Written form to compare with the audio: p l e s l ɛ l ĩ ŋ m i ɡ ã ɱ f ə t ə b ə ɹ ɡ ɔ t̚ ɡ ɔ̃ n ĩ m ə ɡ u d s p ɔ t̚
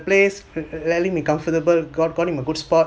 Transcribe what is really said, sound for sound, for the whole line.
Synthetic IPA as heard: p l e s l ɛ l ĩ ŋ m i k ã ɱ f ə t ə b ə l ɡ ɔ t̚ ɡ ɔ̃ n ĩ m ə ɡ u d s p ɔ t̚